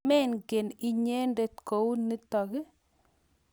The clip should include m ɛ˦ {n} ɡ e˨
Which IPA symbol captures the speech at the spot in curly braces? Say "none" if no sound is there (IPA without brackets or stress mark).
n